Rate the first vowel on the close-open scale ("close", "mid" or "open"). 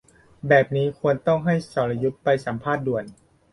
mid